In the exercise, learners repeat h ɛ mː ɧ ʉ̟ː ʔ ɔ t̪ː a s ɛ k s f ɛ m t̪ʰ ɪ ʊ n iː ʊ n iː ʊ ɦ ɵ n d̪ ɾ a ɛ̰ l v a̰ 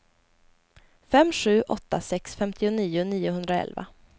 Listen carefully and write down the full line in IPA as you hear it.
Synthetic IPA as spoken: f ɛ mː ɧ ʉ̟ː ʔ ɔ t̪ː a s ɛ k s f ɛ m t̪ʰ ɪ ʊ n iː ʊ n iː ʊ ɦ ɵ n d̪ ɾ a ɛ̰ l v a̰